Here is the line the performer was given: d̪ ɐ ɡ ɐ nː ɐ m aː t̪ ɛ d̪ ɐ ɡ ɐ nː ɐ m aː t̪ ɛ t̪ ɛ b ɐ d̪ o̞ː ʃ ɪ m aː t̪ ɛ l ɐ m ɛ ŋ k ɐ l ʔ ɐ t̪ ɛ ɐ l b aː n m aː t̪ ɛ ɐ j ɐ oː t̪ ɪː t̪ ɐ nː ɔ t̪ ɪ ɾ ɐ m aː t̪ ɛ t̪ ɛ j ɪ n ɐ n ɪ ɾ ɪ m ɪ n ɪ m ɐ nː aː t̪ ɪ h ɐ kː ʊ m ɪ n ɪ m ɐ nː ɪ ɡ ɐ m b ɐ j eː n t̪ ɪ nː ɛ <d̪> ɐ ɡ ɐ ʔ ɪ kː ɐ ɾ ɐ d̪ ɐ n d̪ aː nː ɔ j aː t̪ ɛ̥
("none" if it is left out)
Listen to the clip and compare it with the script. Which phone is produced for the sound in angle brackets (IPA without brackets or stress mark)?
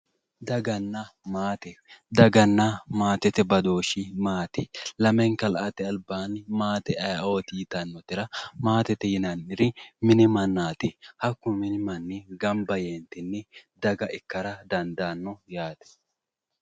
d̪